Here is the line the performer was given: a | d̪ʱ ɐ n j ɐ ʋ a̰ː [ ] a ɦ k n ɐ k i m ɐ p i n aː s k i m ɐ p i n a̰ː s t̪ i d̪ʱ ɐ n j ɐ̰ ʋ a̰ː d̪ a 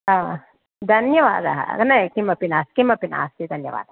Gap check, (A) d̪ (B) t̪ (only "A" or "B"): A